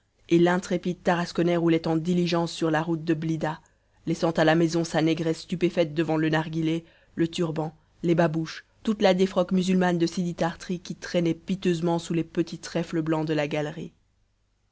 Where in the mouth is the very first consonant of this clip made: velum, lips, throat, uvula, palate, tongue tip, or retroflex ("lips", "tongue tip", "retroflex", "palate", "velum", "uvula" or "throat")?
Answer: tongue tip